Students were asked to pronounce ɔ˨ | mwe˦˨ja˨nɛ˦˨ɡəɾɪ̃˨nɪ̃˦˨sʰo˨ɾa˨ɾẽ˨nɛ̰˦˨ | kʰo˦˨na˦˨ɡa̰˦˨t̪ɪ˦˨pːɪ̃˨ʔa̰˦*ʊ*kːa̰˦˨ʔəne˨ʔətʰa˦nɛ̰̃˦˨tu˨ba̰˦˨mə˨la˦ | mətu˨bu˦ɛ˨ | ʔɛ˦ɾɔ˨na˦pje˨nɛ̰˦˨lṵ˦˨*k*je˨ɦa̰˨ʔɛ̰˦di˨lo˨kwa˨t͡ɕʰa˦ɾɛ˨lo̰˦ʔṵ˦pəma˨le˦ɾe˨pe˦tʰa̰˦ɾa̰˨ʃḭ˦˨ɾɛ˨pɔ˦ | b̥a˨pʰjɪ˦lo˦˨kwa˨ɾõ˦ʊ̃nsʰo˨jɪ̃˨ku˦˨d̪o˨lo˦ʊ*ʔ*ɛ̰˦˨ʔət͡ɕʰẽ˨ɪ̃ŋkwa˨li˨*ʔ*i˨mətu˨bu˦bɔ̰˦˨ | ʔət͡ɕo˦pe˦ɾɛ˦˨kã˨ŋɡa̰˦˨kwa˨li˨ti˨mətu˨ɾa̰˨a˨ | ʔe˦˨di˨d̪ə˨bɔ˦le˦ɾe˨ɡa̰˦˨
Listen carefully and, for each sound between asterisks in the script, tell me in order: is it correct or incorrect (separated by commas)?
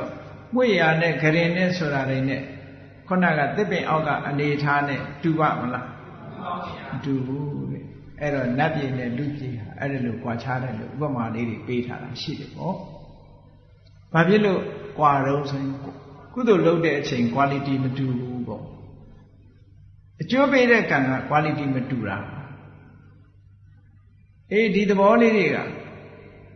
correct, incorrect, incorrect, incorrect